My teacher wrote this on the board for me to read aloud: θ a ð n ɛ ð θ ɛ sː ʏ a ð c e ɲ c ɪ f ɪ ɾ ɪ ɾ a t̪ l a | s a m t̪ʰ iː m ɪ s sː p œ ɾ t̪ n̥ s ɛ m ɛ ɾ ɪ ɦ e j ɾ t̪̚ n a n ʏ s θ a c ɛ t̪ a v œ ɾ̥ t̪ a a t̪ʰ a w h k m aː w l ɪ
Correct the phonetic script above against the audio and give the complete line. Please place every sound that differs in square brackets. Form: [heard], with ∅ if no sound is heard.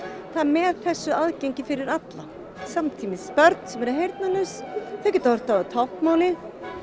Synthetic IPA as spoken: θ a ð [m] ɛ ð θ ɛ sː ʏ a ð c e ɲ c ɪ f ɪ ɾ ɪ ɾ a t̪ l a | s a m t̪ʰ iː m ɪ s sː p œ ɾ t̪ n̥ s ɛ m ɛ ɾ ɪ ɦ e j ɾ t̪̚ n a n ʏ s θ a c ɛ t̪ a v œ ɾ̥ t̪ a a t̪ʰ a w h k m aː w l ɪ